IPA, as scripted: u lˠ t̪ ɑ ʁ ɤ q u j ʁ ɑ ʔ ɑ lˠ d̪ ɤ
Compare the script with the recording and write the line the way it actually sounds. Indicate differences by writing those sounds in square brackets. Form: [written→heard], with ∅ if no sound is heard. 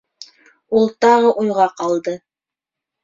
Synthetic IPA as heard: u lˠ t̪ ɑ ʁ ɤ [q→ʔ] u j ʁ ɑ [ʔ→q] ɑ lˠ d̪ ɤ